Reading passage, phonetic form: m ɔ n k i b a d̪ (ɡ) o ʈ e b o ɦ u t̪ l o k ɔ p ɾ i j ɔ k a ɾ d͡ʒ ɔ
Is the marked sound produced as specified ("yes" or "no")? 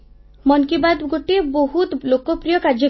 yes